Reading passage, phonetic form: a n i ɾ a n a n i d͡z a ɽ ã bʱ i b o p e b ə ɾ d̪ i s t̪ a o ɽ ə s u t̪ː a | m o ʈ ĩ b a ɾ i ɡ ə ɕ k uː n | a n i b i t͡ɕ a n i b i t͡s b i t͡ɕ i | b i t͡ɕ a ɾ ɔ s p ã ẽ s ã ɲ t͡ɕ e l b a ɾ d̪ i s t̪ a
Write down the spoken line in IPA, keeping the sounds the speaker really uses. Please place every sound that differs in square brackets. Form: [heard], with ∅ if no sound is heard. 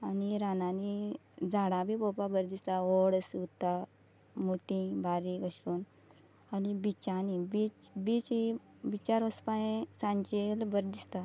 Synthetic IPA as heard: a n i ɾ a n a n i d͡z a ɽ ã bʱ i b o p [a] b ə ɾ d̪ i s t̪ a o ɽ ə s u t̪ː a | m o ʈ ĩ b a ɾ i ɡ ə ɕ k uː n | a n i b i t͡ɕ a n i b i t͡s b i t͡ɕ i | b i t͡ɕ a ɾ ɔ s p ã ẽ s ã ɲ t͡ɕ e l b [ə] ɾ d̪ i s t̪ a